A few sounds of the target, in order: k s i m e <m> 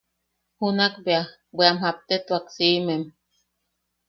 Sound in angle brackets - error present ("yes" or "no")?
no